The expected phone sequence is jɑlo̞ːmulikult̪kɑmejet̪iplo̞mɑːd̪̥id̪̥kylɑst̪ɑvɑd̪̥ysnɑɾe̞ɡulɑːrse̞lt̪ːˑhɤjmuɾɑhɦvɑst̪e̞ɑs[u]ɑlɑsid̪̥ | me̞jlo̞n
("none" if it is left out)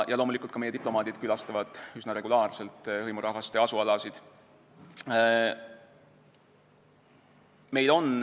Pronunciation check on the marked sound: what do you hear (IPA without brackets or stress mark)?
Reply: u